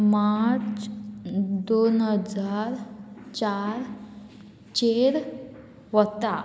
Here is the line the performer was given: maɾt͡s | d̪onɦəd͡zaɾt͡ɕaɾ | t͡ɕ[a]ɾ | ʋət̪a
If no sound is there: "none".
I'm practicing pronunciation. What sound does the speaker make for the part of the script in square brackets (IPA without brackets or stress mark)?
e